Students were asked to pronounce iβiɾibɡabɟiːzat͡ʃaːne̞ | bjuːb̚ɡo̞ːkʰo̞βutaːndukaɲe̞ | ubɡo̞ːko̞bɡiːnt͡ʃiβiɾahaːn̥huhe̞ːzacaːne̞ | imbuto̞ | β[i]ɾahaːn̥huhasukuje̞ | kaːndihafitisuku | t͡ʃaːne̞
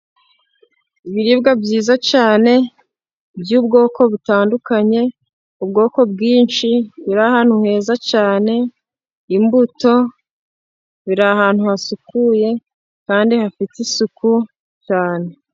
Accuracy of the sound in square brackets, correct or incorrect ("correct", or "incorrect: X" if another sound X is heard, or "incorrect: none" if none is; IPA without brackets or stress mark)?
correct